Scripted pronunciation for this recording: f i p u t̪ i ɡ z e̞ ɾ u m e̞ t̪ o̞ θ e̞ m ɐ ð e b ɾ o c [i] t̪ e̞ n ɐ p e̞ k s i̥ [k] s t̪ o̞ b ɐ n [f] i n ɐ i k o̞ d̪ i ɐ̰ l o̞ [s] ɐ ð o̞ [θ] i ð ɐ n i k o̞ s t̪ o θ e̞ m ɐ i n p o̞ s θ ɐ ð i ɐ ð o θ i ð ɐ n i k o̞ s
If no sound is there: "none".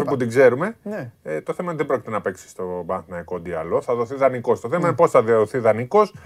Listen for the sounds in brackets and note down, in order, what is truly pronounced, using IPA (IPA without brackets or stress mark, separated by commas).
i, none, θ, θ, θ